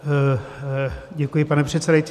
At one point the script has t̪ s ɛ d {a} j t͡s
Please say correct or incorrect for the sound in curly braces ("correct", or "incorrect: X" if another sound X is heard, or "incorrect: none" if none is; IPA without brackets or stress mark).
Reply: correct